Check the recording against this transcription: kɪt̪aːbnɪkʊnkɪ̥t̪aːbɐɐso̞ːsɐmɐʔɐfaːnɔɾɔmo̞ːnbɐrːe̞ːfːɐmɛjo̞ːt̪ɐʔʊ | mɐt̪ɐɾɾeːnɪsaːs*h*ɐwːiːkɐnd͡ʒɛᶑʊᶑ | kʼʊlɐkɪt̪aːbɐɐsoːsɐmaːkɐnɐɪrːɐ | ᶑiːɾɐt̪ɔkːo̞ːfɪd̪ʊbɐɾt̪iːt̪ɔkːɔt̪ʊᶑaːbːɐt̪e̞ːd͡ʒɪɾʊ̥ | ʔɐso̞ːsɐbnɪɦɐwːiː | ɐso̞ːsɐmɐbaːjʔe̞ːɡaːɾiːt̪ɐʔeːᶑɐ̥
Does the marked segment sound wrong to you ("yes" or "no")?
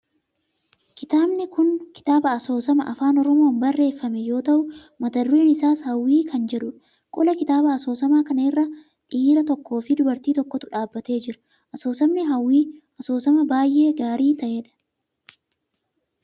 no